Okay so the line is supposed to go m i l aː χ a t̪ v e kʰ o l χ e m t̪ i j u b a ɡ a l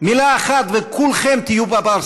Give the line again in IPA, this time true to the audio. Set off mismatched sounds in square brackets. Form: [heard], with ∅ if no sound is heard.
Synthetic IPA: m i l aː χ a t̪ v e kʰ [u] l χ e m t̪ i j u b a [b] a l